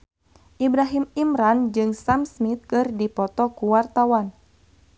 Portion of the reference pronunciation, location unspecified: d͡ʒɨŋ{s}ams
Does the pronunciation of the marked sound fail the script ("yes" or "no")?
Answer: no